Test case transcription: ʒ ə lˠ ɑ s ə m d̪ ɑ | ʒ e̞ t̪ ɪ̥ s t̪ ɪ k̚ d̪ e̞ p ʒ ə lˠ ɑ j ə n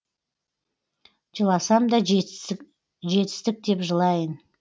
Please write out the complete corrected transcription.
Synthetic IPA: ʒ ə lˠ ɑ s ɑ m d̪ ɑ | ʒ e̞ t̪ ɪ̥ s t̪ ɪ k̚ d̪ e̞ p ʒ ə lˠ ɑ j ə n

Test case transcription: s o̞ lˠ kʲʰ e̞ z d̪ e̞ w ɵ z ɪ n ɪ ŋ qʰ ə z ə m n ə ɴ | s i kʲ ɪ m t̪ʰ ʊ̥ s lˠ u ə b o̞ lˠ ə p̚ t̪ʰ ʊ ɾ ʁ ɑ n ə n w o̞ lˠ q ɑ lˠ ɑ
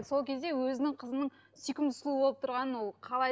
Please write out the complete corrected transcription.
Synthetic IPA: s o̞ lˠ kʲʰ e̞ z d̪ e̞ w ɵ z ɪ n ɪ ŋ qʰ ə z ə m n ə ɴ | s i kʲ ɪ m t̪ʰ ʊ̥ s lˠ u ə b o̞ lˠ ə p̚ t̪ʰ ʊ ɾ ʁ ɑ n ə n w o̞ lˠ qʰ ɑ lˠ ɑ

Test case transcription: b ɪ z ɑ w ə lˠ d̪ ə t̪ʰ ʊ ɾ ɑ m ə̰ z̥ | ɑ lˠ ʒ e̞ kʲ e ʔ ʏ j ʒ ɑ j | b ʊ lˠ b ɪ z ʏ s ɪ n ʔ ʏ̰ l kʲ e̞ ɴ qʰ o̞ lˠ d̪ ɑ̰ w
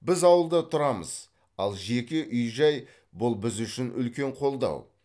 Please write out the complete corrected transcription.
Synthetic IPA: b ɪ z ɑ w ə lˠ d̪ ə t̪ʰ ʊ ɾ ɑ m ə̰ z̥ | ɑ lˠ ʒ e̞ kʲ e ʔ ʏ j ʒ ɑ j | b ʊ lˠ b ɪ z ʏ ʃ ɪ n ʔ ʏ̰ l kʲ e̞ ɴ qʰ o̞ lˠ d̪ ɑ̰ w

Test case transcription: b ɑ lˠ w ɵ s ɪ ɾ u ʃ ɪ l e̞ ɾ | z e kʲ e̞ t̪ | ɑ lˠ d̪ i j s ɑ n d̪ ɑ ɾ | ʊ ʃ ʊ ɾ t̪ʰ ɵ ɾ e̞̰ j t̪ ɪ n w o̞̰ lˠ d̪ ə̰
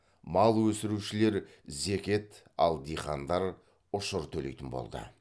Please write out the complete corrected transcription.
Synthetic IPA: m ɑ lˠ w ɵ s ɪ ɾ u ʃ ɪ l e̞ ɾ | z e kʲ e̞ t̪ | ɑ lˠ d̪ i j χ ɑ n d̪ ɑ ɾ | ʊ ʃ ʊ ɾ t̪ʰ ɵ l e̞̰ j t̪ ɪ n b o̞̰ lˠ d̪ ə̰

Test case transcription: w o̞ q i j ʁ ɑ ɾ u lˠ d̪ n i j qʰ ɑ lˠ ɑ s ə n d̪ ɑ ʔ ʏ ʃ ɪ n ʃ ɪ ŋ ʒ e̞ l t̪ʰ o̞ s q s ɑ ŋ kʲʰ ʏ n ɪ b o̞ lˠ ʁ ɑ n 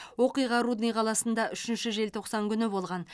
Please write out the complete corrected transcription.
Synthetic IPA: w o̞ q i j ʁ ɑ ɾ u d̪ n i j qʰ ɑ lˠ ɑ s ə n d̪ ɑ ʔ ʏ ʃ ɪ n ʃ ɪ ʒ e̞ l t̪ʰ o̞ q s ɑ ŋ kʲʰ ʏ n ɪ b o̞ lˠ ʁ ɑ n

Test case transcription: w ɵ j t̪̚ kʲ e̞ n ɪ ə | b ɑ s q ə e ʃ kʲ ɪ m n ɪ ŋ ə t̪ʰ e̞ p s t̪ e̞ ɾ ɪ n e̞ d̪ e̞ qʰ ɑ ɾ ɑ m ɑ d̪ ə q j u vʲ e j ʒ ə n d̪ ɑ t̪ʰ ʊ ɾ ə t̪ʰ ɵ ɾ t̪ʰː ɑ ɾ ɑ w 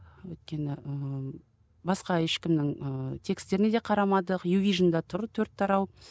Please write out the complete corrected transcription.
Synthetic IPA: w ɵ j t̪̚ kʲ e̞ n ɪ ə | b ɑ s q ɑ e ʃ kʲ ɪ m n ɪ ŋ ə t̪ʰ e̞ k s t̪ e̞ ɾ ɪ n e̞ d̪ e̞ qʰ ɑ ɾ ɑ m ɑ d̪ ə q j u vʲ i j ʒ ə n d̪ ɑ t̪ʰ ʊ ɾ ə t̪ʰ ɵ ɾ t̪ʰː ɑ ɾ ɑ w

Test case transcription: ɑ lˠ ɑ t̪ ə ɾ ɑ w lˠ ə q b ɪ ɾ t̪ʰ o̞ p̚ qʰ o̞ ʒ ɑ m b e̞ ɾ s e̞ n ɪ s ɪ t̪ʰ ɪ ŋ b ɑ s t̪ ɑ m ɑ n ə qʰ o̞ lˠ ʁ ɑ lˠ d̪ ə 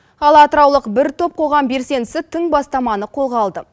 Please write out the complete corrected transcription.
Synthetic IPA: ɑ lˠ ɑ t̪ ə ɾ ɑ w lˠ ə q b ɪ ɾ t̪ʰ o̞ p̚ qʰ o̞ ʁ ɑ m b e̞ ɾ s e̞ n ɪ s ɪ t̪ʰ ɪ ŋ b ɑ s t̪ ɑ m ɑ n ə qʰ o̞ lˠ ʁ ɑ lˠ d̪ ə

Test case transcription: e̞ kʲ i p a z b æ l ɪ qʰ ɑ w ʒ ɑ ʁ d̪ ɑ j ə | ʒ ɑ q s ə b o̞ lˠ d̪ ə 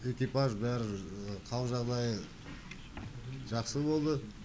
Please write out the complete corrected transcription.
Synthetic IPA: e̞ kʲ i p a ʒ b æ ɾ ɪ qʰ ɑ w ʒ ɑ ʁ d̪ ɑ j ə | ʒ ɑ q s ə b o̞ lˠ d̪ ə

